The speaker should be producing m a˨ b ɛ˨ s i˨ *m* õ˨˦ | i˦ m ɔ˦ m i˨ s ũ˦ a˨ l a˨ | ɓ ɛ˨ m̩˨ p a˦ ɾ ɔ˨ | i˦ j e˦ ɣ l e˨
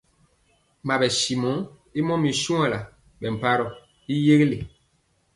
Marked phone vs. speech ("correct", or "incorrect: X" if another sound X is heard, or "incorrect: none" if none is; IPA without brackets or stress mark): correct